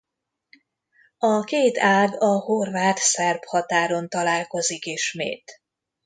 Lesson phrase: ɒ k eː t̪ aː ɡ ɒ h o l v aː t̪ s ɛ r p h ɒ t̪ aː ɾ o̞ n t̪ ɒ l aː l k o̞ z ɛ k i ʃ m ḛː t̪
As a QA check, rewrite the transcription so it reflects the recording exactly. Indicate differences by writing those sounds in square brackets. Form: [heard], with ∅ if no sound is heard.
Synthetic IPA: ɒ k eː t̪ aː ɡ ɒ h o [r] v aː t̪ s ɛ r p h ɒ t̪ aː ɾ o̞ n t̪ ɒ l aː l k o̞ z [i] k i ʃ m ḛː t̪